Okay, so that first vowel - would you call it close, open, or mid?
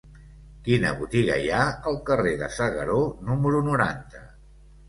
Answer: close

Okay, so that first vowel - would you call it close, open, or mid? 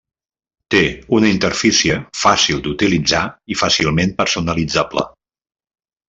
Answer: mid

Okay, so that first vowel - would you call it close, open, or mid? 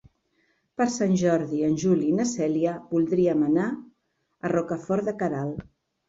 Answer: mid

